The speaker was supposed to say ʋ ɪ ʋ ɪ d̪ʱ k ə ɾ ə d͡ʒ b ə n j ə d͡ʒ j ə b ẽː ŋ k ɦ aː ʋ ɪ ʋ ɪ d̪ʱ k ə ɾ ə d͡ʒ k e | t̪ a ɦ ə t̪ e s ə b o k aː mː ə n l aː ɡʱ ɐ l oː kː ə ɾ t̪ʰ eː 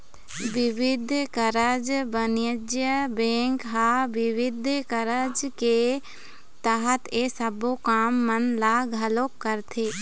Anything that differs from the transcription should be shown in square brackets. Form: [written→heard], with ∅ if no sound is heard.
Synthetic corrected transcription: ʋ ɪ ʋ ɪ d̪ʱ k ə ɾ ə d͡ʒ b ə n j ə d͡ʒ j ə b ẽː ŋ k ɦ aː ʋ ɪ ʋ ɪ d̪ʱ k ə ɾ ə d͡ʒ k e | t̪ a ɦ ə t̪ e s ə b o k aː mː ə n l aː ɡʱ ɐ l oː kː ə ɾ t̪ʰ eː